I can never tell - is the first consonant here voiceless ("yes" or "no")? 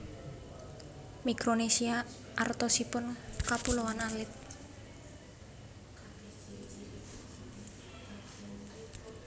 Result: no